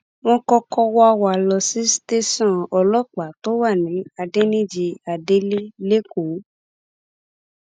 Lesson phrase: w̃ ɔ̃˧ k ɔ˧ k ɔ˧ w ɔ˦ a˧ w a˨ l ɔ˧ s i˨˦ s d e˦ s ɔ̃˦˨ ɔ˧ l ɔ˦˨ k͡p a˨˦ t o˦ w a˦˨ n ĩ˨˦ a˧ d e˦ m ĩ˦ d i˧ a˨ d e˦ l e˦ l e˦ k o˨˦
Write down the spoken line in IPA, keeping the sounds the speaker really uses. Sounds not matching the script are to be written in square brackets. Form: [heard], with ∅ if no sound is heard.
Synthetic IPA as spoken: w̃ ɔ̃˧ k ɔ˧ k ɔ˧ w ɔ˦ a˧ w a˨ l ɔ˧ s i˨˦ s [t] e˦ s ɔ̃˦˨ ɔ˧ l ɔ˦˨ k͡p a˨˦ t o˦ w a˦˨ n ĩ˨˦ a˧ d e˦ [n] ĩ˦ [d͡ʒ] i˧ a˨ d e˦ l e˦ l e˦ k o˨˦